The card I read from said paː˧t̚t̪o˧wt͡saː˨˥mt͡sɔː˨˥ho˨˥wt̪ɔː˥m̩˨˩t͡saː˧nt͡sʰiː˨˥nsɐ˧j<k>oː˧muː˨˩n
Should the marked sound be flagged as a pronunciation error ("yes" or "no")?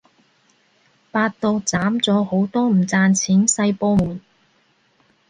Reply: yes